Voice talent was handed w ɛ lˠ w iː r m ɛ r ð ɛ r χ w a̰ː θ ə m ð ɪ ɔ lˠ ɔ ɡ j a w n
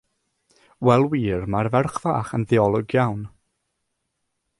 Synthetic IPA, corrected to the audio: w ɛ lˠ w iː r m a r v ɛ r χ v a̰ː χ ə n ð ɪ ɔ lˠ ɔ ɡ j a w n